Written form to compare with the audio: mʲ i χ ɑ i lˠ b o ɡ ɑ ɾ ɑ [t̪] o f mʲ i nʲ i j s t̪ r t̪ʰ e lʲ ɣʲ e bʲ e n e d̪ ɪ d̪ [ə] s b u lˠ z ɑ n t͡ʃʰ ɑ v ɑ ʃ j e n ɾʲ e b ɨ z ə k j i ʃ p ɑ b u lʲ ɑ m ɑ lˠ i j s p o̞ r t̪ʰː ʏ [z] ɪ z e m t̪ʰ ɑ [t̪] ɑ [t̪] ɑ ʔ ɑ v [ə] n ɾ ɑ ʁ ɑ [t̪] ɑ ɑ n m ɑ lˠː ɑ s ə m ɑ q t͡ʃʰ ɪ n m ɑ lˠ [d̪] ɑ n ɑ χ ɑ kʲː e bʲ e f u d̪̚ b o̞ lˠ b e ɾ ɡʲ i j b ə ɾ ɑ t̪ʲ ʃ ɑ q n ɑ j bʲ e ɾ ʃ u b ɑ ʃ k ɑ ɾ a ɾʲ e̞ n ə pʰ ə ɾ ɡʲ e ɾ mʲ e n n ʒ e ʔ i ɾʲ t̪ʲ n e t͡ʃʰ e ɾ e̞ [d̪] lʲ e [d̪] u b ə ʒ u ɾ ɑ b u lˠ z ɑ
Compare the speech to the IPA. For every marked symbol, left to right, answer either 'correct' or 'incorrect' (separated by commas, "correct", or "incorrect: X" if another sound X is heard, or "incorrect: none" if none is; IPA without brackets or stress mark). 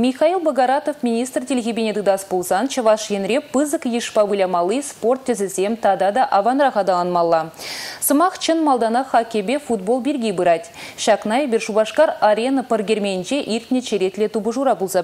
correct, incorrect: ɑ, correct, incorrect: d̪, incorrect: d̪, incorrect: ɑ, incorrect: d̪, correct, incorrect: t̪, incorrect: t̪